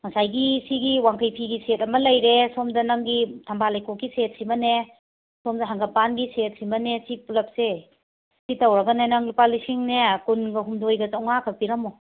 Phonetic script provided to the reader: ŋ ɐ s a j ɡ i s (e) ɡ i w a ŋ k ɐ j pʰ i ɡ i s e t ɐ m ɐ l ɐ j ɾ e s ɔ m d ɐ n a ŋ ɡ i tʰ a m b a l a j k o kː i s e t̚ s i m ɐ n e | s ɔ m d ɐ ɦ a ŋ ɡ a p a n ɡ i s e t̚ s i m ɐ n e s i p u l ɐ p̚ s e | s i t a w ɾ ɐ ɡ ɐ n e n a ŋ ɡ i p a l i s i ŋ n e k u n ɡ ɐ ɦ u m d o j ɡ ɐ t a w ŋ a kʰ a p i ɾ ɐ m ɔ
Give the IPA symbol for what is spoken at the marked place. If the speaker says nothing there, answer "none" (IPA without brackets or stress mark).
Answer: i